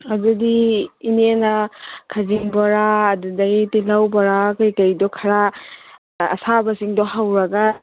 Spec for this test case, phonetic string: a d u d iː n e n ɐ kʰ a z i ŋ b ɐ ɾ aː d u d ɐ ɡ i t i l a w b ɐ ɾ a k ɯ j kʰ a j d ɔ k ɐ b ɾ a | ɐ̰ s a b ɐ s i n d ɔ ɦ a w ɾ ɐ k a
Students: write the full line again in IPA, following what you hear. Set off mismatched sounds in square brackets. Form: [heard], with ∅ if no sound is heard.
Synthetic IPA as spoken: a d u d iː n e n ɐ kʰ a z i ŋ b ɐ ɾ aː d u d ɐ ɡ i t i l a w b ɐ ɾ a k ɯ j [k] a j d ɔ [kʰ] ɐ [∅] ɾ a | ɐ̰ s a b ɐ s i [ŋ] d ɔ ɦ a w ɾ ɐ [ɡ] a

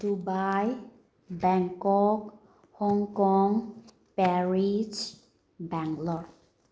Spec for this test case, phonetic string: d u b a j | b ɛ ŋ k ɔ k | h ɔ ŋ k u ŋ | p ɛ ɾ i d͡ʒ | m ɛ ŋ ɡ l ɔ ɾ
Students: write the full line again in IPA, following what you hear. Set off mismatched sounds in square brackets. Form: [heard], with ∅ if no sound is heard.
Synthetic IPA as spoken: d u b a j | b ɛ ŋ k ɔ k | h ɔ ŋ k [ɔ] ŋ | p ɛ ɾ i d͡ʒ | [b] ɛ ŋ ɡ l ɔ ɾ

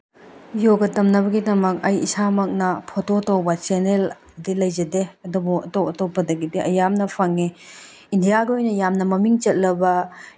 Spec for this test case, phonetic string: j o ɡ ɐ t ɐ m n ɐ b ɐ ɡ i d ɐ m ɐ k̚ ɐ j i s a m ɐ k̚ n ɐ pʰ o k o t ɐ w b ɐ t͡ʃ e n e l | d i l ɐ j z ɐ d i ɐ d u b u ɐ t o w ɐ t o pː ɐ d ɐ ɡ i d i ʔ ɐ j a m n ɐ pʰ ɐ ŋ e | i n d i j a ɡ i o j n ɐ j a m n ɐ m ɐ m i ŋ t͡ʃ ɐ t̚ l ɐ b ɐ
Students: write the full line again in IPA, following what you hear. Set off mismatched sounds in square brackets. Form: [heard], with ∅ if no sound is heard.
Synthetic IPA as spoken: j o ɡ ɐ t ɐ m n ɐ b ɐ ɡ i d ɐ m ɐ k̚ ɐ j i s a m ɐ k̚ n ɐ pʰ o [t] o t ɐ w b ɐ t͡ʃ e n e l | d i l ɐ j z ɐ d [e] ɐ d u b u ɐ t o w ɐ t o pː ɐ d ɐ ɡ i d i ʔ ɐ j a m n ɐ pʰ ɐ ŋ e | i n d i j a ɡ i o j n ɐ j a m n ɐ m ɐ m i ŋ t͡ʃ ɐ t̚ l ɐ b ɐ

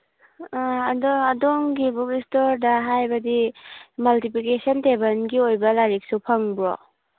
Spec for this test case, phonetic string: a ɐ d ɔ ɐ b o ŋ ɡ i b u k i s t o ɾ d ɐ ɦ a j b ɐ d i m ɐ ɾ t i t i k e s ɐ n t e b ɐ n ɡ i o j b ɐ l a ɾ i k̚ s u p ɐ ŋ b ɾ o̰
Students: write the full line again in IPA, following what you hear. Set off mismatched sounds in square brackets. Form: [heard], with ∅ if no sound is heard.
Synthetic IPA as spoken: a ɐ d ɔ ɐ [d] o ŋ ɡ i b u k i s t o ɾ d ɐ ɦ a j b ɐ d i m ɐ [l] t i [p] i k e s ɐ n t e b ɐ n ɡ i o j b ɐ l a ɾ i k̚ s u [pʰ] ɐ ŋ b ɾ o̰

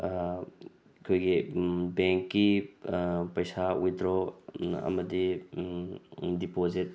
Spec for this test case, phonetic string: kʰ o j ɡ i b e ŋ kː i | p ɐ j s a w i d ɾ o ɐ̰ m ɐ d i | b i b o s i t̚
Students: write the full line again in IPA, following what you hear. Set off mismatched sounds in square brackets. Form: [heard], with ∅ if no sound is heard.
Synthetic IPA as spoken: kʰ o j ɡ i b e ŋ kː i | p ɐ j s a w i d ɾ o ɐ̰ m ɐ d i | [d] i [p] o [z] i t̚

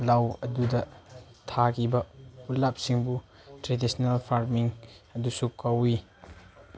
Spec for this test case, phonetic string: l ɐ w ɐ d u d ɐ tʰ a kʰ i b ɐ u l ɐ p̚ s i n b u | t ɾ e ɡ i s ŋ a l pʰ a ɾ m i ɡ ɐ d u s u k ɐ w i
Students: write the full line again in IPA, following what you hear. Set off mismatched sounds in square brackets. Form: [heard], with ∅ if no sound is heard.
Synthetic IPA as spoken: l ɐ w ɐ d u d ɐ tʰ a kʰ i b ɐ u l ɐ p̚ s i [ŋ] b u | t ɾ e [d] i s [n] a l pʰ a ɾ m i [ŋ] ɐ d u s u k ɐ w i

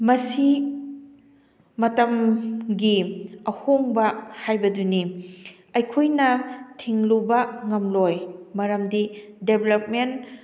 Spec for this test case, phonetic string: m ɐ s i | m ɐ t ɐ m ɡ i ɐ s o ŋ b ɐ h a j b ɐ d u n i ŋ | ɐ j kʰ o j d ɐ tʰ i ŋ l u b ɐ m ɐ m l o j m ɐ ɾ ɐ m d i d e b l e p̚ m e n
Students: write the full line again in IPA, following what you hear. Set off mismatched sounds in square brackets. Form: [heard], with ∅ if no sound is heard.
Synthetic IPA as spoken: m ɐ s i | m ɐ t ɐ m ɡ i ɐ [h] o ŋ b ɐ h a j b ɐ d u n i [∅] | ɐ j kʰ o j [n] ɐ tʰ i ŋ l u b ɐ [ŋ] ɐ m l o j m ɐ ɾ ɐ m d i d e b l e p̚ m e n

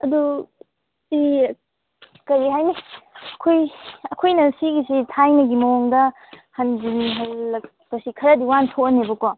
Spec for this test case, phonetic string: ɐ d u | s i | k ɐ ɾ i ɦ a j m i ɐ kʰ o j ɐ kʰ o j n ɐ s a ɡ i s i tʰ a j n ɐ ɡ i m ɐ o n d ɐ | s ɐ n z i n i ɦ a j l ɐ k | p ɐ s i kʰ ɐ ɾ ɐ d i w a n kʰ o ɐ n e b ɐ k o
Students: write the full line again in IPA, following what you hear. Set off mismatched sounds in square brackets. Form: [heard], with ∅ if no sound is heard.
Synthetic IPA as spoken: ɐ d u | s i | k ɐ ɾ i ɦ a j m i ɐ kʰ o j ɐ kʰ o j n ɐ s [i] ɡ i s i tʰ a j n ɐ ɡ i m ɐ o [ŋ] d ɐ | [h] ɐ n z i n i ɦ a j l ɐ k | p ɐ s i kʰ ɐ ɾ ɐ d i w a n [tʰ] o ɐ n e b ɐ k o

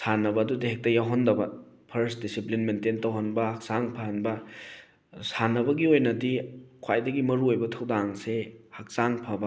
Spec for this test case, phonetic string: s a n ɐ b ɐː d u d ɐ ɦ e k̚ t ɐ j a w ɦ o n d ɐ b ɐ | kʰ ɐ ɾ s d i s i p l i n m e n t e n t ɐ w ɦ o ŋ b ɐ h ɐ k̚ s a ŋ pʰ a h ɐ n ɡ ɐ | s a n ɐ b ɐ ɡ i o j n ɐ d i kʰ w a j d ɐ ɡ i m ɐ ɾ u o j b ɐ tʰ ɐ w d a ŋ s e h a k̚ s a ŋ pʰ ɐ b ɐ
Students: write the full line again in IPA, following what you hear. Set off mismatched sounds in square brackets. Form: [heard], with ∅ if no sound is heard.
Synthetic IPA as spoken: s a n ɐ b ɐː d u d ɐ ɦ e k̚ t ɐ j a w ɦ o n d ɐ b ɐ | [pʰ] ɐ ɾ s d i s i p l i n m e n t e n t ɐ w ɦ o [n] b ɐ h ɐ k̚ s a ŋ pʰ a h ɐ n [b] ɐ | s a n ɐ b ɐ ɡ i o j n ɐ d i kʰ w a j d ɐ ɡ i m ɐ ɾ u o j b ɐ tʰ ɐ w d a ŋ s e h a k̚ s a ŋ pʰ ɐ b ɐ

